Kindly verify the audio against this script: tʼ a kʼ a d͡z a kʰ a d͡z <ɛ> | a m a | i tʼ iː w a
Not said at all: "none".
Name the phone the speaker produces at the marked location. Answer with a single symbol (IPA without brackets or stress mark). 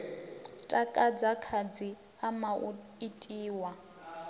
i